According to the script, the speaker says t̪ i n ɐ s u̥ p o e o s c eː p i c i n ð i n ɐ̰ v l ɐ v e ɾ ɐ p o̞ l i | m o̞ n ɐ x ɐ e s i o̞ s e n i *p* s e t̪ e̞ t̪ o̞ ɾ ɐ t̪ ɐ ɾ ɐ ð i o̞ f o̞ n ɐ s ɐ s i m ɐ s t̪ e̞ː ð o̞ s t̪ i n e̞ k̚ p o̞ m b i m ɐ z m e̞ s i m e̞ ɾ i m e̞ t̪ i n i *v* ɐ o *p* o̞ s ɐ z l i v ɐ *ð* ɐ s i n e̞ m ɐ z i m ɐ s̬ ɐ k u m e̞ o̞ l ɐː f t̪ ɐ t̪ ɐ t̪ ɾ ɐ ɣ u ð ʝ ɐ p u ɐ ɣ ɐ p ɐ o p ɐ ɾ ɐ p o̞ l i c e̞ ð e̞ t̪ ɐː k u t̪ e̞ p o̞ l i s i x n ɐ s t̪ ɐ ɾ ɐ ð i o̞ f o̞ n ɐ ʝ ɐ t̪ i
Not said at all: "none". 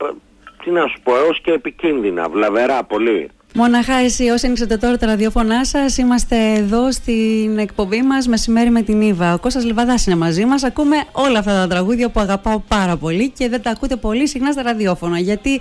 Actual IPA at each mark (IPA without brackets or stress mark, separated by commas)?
k, v, k, ð